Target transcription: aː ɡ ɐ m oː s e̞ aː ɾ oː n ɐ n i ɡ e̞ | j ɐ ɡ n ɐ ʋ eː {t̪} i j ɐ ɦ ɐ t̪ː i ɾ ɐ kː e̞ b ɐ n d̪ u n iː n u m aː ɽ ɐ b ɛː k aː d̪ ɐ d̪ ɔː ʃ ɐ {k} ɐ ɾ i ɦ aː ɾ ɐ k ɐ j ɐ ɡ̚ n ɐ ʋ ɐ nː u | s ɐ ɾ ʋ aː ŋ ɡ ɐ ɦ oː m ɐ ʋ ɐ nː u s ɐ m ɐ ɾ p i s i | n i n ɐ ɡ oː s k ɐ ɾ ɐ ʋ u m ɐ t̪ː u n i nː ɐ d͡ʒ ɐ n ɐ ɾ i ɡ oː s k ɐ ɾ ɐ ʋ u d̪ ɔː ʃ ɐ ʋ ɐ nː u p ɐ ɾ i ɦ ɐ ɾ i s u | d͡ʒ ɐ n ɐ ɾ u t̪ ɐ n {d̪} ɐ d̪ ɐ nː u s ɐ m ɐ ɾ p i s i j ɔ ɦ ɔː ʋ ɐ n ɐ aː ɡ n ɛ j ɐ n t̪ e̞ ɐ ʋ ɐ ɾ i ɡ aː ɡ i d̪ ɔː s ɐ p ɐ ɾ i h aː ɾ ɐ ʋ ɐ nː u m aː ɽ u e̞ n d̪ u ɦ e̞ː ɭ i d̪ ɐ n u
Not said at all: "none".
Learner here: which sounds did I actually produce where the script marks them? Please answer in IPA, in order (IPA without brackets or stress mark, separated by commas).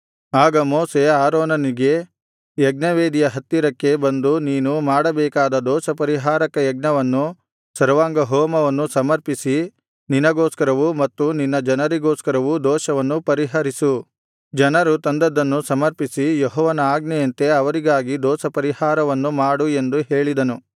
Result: d̪, p, d̪